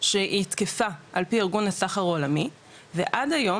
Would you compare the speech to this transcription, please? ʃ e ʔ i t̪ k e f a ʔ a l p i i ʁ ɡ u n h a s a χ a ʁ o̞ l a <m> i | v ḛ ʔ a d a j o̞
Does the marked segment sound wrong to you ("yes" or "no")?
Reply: no